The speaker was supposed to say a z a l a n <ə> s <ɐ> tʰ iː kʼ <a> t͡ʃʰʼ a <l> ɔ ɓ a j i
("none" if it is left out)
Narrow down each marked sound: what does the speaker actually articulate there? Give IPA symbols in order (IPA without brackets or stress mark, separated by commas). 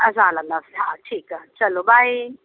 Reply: a, a, a, l